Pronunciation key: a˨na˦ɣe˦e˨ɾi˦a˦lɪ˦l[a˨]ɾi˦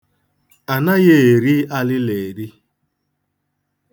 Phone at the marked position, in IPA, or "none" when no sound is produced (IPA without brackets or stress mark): e˨